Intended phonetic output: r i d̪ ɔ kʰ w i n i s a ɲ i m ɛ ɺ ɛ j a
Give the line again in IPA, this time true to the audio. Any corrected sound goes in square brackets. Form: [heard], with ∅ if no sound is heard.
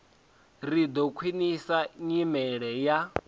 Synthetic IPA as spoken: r i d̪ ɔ kʰ w i n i s a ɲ i m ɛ ɺ ɛ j a

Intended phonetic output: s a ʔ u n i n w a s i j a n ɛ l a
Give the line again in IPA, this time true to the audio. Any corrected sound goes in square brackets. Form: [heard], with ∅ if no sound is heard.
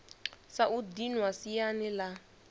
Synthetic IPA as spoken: s a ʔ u [d] i n w a s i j a n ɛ l a

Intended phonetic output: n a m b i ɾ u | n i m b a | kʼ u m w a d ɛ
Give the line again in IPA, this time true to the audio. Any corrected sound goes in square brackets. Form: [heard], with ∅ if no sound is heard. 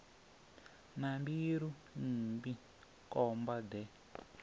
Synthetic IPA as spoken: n a m b i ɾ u | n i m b [i] | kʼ [ɔ] m [b] a d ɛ

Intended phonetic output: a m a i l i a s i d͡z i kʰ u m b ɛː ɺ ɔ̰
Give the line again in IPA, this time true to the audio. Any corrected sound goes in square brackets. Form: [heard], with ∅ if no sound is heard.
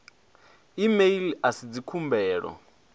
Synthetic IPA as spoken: [i] m [e] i l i a s i d͡z i kʰ u m b ɛː ɺ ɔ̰

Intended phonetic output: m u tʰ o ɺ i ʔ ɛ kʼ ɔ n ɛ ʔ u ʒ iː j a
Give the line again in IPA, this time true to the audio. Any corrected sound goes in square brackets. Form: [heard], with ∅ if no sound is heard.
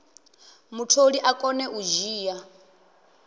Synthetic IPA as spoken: m u tʰ o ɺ i ʔ [a] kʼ ɔ n ɛ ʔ u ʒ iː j a

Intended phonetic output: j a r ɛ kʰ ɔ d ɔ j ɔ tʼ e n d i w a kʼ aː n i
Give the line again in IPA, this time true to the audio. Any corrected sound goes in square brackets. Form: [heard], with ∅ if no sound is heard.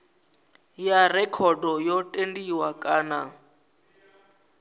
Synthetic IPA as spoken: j a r ɛ kʰ ɔ d ɔ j ɔ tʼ e n d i w a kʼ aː n [a]

